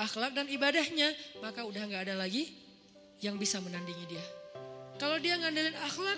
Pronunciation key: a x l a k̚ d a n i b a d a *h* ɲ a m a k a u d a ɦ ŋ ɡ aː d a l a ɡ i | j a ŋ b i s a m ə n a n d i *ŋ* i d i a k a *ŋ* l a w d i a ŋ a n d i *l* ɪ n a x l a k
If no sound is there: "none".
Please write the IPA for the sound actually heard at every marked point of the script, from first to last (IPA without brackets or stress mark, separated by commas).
h, ŋ, none, l